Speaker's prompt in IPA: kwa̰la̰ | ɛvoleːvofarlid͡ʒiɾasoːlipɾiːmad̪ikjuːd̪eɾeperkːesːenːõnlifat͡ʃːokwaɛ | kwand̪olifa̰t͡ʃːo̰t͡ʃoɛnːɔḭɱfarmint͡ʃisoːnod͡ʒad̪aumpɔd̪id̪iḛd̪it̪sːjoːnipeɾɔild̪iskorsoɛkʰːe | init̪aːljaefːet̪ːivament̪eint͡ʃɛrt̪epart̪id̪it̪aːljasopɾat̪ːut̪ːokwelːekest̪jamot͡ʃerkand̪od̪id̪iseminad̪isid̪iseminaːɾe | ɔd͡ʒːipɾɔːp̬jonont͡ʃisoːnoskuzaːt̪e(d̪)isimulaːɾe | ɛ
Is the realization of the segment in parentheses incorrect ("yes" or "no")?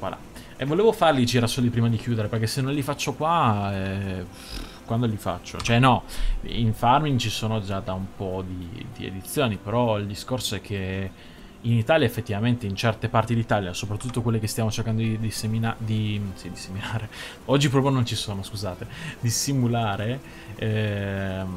no